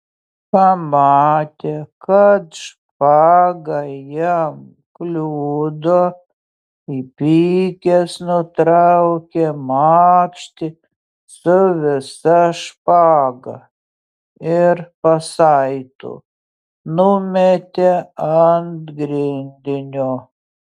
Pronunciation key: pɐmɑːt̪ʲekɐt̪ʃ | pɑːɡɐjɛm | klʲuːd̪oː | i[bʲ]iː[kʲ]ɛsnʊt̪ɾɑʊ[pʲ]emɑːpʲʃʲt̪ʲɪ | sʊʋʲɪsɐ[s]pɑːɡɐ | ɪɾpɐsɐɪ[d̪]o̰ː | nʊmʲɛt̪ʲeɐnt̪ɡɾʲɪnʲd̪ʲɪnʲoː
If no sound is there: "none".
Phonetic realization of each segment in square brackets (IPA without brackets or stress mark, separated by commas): pʲ, kʲ, kʲ, ʃ, t̪